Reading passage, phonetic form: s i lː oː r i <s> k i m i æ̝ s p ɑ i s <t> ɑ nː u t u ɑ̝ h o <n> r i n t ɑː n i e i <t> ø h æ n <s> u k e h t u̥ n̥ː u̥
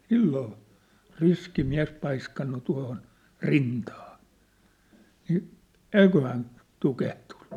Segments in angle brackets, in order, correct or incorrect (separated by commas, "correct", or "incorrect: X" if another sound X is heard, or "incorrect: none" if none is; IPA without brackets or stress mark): correct, incorrect: k, correct, incorrect: k, incorrect: t